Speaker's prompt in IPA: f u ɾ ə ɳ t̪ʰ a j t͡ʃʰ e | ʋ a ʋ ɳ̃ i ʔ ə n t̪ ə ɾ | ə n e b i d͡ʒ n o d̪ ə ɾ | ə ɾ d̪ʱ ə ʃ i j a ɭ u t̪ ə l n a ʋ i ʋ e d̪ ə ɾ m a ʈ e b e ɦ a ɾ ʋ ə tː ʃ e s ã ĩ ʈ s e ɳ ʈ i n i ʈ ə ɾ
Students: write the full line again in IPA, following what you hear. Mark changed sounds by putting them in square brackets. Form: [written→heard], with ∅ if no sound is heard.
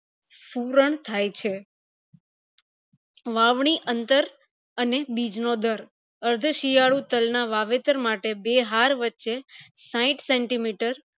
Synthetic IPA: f u ɾ ə ɳ t̪ʰ a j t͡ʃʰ e | ʋ a ʋ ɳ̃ i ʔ ə n t̪ ə ɾ | ə n e b i d͡ʒ n o d̪ ə ɾ | ə ɾ d̪ʱ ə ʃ i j a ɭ u t̪ ə l n a ʋ [i→a] ʋ e [d̪→t̪] ə ɾ m a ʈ e b e ɦ a ɾ ʋ ə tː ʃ e s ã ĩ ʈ s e ɳ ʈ i [n→m] i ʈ ə ɾ

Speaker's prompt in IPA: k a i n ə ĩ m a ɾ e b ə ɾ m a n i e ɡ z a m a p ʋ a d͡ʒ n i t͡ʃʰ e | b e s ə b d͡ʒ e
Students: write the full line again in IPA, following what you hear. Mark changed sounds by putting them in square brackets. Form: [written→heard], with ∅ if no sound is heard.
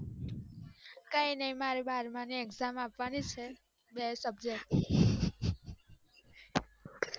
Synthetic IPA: k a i n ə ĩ m a ɾ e b [ə→a] ɾ m a n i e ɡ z a m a p ʋ a [d͡ʒ→∅] n i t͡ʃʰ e | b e s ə b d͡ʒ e

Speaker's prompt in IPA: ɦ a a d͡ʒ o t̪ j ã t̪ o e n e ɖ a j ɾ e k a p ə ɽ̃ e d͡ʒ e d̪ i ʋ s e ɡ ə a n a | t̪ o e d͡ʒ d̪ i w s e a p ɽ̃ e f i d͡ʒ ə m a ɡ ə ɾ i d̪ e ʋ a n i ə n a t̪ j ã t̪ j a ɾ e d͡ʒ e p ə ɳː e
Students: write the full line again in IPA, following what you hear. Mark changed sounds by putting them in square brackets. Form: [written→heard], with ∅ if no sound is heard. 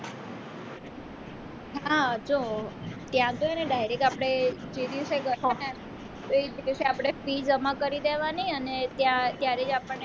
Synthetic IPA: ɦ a a d͡ʒ o t̪ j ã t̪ o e n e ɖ a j ɾ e k a p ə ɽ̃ e d͡ʒ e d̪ i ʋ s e ɡ ə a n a | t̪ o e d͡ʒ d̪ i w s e a p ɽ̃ e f i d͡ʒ ə m a [ɡ→k] ə ɾ i d̪ e ʋ a n i ə n [a→e] t̪ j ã t̪ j a ɾ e d͡ʒ [e→a] p ə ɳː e

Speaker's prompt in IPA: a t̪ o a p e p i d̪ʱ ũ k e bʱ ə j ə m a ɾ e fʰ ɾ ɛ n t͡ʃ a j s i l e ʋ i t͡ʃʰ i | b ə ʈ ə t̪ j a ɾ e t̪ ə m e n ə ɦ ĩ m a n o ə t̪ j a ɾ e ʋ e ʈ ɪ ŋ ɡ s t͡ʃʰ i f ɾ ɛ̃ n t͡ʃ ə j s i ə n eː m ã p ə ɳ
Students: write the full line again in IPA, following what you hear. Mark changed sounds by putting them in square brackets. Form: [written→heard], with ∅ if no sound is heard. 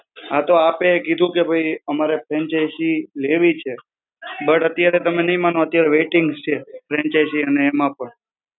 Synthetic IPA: a t̪ o a p e [p→k] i d̪ʱ ũ k e bʱ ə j ə m a ɾ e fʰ ɾ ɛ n t͡ʃ a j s i l e ʋ i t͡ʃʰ [i→e] | b ə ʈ ə t̪ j a ɾ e t̪ ə m e n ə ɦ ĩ m a n o ə t̪ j a ɾ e ʋ e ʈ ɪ ŋ ɡ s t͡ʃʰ [i→e] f ɾ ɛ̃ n t͡ʃ [ə→a] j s i ə n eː m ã p ə ɳ

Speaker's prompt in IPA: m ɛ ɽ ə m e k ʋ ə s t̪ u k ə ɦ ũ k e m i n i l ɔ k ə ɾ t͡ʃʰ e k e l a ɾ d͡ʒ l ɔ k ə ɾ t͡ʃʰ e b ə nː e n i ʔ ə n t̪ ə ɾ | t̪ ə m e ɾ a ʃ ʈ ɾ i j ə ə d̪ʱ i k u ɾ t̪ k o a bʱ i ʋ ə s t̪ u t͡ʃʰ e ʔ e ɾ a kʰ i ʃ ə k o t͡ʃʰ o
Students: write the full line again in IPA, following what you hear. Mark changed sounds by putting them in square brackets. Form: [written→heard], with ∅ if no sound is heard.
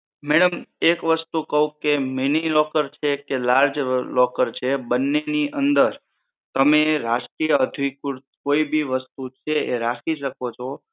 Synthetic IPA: m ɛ ɽ ə m e k ʋ ə s t̪ u k ə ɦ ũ k e m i n i l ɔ k ə ɾ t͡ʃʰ e k e l a ɾ d͡ʒ l ɔ k ə ɾ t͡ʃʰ e b ə nː e n i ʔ ə n [t̪→d̪] ə ɾ | t̪ ə m e ɾ a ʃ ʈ ɾ i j ə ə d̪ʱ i k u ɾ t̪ k o [a→i] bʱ i ʋ ə s t̪ u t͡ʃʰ e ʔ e ɾ a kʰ i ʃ ə k o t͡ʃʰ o

